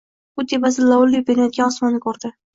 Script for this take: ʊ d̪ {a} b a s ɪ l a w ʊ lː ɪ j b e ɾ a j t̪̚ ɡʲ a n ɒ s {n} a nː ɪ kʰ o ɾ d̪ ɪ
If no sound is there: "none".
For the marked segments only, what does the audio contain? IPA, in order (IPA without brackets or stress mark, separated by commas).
e, m